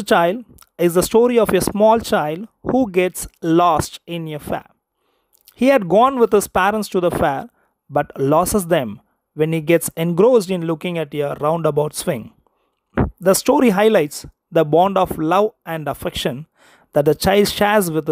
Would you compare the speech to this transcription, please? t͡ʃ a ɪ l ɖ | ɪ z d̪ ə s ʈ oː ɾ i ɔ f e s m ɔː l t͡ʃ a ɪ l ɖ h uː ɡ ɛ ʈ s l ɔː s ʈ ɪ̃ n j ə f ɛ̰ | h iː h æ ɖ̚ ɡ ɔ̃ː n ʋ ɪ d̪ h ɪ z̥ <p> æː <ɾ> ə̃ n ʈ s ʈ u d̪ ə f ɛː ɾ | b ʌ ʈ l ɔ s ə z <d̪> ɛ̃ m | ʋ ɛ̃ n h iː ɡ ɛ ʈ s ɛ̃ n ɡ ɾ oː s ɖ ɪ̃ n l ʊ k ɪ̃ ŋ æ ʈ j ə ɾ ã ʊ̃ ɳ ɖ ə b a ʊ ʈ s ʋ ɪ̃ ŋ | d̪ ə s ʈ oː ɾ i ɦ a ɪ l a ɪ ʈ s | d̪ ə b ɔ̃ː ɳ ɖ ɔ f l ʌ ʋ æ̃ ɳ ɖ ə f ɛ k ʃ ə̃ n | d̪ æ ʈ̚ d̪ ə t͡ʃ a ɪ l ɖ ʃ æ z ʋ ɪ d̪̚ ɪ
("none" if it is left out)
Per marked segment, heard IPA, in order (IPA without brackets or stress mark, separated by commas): p, ɾ, d̪